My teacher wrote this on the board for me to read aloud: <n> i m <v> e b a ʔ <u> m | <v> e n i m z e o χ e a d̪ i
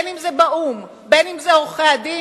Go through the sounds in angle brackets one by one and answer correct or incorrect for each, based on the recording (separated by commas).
correct, incorrect, correct, incorrect